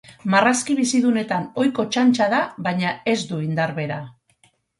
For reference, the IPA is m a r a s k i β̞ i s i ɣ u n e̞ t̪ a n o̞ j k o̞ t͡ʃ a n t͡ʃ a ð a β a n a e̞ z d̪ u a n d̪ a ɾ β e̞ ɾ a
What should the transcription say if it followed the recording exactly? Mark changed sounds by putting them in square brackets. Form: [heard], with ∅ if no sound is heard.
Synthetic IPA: m a r a s k i β̞ i s i [ð] u n e̞ t̪ a n o̞ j k o̞ t͡ʃ a n t͡ʃ a ð a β a [ɲ] a e̞ z d̪ u [i] n d̪ a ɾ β e̞ ɾ a